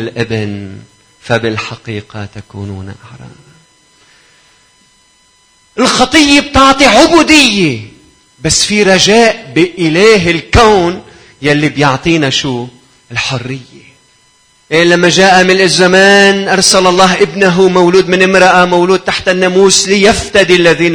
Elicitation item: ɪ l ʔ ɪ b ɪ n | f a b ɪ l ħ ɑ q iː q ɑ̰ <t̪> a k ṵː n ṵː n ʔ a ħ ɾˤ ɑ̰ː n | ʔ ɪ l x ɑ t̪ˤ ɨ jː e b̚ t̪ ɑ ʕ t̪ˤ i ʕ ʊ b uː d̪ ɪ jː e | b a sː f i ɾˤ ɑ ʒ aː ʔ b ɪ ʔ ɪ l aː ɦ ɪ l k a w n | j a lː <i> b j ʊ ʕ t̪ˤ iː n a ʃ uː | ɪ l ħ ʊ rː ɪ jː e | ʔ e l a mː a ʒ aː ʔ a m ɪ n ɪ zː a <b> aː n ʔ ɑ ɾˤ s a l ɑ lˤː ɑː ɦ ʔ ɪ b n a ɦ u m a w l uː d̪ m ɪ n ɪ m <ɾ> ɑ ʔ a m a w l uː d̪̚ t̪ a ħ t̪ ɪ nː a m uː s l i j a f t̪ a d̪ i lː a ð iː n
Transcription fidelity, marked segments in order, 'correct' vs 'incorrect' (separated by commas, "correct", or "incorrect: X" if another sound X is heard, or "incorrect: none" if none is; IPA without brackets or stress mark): correct, correct, incorrect: m, correct